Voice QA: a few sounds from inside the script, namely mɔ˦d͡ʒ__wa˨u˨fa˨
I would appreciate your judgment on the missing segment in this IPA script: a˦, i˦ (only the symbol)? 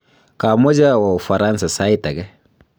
a˦